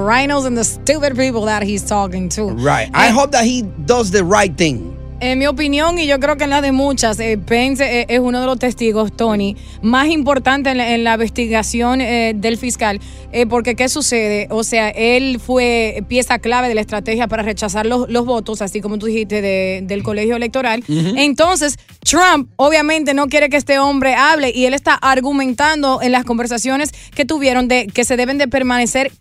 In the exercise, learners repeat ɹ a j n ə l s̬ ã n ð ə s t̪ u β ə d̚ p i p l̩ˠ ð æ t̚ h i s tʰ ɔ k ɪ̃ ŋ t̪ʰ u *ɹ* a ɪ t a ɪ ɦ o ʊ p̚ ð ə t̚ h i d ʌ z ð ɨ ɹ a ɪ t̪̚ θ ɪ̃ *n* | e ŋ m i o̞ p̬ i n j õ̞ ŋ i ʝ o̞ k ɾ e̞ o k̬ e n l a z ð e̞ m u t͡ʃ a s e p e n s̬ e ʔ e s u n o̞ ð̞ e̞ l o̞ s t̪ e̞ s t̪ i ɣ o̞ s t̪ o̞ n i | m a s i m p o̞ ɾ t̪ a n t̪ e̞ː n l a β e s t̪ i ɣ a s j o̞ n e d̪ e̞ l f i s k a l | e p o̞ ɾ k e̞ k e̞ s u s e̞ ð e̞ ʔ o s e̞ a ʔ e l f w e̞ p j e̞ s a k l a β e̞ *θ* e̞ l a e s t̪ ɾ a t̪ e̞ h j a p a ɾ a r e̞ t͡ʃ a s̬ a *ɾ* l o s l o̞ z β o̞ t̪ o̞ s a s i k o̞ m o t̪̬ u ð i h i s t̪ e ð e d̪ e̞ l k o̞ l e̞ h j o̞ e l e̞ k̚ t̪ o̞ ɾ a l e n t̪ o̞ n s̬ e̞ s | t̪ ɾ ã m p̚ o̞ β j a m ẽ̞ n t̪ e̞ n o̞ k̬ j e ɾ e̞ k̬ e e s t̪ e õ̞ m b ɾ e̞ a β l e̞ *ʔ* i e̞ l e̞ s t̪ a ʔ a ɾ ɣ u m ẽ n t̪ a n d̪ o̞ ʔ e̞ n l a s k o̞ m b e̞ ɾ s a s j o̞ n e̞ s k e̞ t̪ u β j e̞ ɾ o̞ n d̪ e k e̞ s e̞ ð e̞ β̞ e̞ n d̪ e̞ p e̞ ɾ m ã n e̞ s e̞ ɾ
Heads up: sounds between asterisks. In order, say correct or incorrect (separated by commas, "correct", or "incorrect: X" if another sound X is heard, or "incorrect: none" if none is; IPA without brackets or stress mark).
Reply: correct, incorrect: ŋ, incorrect: ð, correct, correct